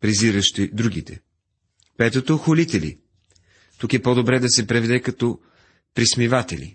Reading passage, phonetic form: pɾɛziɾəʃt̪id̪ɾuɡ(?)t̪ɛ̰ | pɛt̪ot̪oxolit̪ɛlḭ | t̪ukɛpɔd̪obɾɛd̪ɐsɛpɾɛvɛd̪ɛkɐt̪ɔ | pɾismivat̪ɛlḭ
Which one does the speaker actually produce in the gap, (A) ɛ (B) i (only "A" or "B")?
B